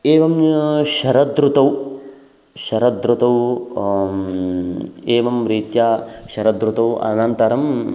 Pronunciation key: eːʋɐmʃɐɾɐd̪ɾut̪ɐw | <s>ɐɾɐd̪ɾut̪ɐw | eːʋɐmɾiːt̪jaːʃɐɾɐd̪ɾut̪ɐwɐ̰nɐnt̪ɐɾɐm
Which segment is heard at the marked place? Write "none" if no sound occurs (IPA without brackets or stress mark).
ʃ